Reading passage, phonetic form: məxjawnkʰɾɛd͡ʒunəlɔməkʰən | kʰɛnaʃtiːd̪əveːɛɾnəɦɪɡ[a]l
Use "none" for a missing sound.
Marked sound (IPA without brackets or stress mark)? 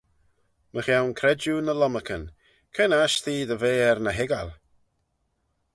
a